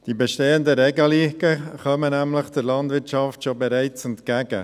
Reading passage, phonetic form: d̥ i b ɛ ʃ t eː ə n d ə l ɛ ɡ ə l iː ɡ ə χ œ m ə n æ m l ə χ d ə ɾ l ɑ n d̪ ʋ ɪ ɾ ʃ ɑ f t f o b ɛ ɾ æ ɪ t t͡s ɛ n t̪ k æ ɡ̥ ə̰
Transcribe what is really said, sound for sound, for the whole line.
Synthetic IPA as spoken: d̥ i b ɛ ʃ t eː ə n d ə ɾ ɛ ɡ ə l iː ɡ ə χ œ m ə n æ m l ə χ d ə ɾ l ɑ n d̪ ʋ ɪ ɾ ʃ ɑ f t ʃ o b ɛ ɾ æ ɪ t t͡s ɛ n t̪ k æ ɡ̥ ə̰